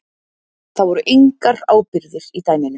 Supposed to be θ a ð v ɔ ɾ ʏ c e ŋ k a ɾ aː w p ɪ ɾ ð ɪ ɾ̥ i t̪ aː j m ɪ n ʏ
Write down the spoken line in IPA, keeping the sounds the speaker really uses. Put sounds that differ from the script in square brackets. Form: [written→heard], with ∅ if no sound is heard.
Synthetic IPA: θ a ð v ɔ ɾ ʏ [c→ʔ] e ŋ k a ɾ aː w p ɪ ɾ ð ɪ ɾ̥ i t̪ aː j m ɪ n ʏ